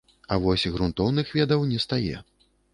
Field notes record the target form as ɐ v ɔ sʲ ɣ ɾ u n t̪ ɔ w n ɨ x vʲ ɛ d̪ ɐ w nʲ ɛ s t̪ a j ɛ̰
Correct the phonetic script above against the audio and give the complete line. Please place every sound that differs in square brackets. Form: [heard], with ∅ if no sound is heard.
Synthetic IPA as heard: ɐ v ɔ sʲ ɣ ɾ u n t̪ ɔ w n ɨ x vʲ ɛ d̪ ɐ w nʲ ɛ s t̪ a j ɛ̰